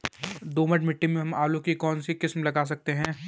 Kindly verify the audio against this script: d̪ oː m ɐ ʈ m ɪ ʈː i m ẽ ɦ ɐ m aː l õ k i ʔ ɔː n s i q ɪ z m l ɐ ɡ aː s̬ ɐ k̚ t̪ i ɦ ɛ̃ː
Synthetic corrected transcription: d̪ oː m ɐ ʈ m ɪ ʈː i m ẽ ɦ ɐ m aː l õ k i k ɔː n s i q ɪ s m l ɐ ɡ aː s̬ ɐ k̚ t̪ e ɦ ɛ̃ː